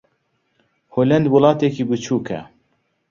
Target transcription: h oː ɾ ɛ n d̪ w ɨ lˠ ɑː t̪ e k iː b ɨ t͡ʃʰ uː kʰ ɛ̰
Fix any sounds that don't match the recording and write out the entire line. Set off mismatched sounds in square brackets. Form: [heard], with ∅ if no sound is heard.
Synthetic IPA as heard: h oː [l] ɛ n d̪ w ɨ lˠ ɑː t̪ e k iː b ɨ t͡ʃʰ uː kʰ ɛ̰